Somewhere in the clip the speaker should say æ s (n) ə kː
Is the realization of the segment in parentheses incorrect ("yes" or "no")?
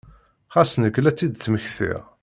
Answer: no